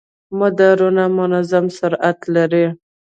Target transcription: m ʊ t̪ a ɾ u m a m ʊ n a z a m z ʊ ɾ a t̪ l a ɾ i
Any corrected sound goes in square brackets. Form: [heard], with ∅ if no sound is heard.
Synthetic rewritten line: m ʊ [d̪] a ɾ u [n] a m ʊ n a z a m [s] ʊ ɾ a t̪ l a ɾ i